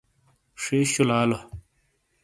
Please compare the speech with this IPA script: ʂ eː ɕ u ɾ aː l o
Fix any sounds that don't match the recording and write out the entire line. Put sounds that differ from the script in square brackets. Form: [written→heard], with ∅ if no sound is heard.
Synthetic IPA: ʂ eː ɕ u [ɾ→l] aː l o